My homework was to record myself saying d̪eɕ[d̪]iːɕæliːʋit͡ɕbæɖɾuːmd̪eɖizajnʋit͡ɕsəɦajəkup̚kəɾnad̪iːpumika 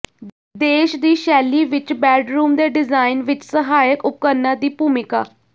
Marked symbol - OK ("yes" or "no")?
yes